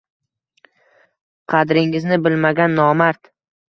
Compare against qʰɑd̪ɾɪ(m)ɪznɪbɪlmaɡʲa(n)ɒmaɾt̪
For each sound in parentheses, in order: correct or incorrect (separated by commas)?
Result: incorrect, incorrect